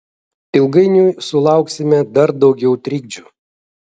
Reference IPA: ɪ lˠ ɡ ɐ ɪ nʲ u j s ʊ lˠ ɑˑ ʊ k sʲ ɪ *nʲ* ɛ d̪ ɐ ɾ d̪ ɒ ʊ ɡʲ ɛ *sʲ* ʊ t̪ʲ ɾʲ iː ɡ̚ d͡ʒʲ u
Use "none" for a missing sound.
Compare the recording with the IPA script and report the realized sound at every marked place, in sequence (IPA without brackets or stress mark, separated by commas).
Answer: mʲ, none